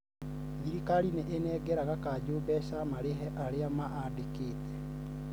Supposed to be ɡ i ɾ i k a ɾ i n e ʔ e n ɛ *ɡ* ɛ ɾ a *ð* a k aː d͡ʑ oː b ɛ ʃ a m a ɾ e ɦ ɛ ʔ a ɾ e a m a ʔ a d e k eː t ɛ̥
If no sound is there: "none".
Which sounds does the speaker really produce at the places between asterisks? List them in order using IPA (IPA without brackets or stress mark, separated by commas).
ɡ, ɣ